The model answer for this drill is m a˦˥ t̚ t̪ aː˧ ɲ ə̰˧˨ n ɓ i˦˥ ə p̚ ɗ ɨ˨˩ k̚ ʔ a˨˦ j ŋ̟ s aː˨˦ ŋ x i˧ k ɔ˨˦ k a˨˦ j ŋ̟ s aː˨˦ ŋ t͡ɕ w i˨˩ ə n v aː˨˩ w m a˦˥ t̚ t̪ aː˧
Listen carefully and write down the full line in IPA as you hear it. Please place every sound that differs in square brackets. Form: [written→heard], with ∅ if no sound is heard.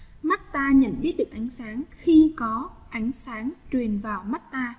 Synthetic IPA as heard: m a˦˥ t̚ t̪ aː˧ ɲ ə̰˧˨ n ɓ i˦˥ ə [p̚→t̚] ɗ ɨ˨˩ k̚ ʔ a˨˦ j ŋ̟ s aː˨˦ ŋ x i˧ k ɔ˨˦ [k→ʔ] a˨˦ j ŋ̟ s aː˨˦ ŋ t͡ɕ w i˨˩ ə n v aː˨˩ w m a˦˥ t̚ t̪ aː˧

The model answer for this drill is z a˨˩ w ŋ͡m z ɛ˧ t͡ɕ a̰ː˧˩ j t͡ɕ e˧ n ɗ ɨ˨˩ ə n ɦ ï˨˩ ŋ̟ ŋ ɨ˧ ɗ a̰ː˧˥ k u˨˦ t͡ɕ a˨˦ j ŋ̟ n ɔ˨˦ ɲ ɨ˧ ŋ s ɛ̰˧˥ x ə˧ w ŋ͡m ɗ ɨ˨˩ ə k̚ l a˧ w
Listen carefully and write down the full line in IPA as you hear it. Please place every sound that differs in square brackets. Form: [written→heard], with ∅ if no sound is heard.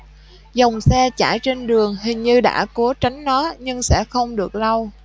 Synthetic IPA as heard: z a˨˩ w ŋ͡m [z→s] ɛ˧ t͡ɕ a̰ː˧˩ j t͡ɕ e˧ n ɗ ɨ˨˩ ə [n→ŋ] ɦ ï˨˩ ŋ̟ [ŋ→ɲ] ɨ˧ ɗ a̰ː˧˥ k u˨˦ t͡ɕ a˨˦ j ŋ̟ n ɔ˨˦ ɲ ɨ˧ ŋ s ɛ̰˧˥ x ə˧ w ŋ͡m ɗ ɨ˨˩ ə k̚ l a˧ w

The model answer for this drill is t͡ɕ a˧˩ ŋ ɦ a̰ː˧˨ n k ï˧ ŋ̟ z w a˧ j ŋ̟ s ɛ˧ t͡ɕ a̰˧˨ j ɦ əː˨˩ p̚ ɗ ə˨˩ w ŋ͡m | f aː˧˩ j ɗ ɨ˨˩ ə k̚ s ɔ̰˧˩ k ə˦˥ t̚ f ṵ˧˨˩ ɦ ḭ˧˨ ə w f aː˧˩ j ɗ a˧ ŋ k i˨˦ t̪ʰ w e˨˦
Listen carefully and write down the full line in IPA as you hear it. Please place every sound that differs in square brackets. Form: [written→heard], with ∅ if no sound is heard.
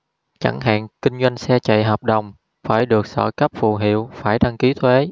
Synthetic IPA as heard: t͡ɕ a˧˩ ŋ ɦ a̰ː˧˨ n k ï˧ ŋ̟ z w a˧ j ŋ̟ s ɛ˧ t͡ɕ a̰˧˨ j ɦ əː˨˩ p̚ ɗ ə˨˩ w ŋ͡m | f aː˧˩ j ɗ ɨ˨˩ ə k̚ s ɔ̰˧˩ k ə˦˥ [t̚→p̚] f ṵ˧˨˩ ɦ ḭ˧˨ ə w f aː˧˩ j ɗ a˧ ŋ k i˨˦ t̪ʰ w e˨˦

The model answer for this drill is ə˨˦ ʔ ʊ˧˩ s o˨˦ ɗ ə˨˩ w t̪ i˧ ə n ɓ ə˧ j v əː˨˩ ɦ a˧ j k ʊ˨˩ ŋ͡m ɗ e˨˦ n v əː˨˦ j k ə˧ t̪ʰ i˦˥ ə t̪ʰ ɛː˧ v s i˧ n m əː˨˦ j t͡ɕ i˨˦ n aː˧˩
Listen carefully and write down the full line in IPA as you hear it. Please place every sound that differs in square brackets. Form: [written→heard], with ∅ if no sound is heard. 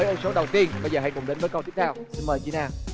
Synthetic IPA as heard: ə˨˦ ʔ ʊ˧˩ s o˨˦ ɗ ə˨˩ w t̪ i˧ ə n ɓ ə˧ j [v→z] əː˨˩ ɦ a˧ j k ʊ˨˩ ŋ͡m ɗ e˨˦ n v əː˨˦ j k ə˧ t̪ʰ i˦˥ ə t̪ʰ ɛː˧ [v→w] s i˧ n m [əː˨˦→əː˨˩] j t͡ɕ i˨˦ n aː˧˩

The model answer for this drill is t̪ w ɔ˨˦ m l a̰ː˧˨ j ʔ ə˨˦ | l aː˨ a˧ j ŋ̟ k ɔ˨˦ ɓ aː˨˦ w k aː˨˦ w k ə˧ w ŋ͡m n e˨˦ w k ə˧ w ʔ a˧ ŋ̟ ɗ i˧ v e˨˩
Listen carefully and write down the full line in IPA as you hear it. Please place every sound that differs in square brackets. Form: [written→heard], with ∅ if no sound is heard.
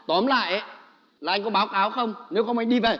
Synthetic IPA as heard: t̪ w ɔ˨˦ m l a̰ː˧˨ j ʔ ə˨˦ | l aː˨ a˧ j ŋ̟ k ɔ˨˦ ɓ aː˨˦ w k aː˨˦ w [k→x] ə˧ w ŋ͡m n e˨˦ w [k→x] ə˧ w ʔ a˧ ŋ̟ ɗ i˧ v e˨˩

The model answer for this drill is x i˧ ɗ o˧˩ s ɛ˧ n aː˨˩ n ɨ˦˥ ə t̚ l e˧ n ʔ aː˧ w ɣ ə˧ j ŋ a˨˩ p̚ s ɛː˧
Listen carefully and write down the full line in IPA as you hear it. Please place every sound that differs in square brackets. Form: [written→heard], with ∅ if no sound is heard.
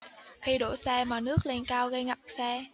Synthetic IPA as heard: x i˧ ɗ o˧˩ s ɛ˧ [n→m] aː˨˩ n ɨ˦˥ ə [t̚→k̚] l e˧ n [ʔ→k] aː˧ w ɣ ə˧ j ŋ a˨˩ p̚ s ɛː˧

